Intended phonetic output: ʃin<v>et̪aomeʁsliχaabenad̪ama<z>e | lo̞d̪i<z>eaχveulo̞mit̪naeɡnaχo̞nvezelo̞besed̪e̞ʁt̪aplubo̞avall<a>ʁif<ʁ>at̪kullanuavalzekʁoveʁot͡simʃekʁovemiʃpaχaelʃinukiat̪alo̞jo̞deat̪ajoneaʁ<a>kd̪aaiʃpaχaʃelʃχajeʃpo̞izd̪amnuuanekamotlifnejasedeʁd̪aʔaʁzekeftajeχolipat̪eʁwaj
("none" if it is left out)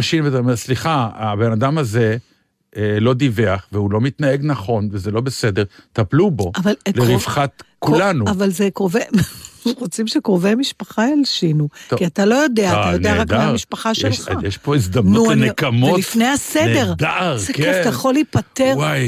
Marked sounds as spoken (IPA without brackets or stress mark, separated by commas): v, z, v, e, χ, a